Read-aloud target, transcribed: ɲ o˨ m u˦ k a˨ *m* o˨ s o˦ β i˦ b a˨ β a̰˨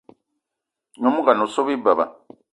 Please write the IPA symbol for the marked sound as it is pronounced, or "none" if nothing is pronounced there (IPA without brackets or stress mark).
n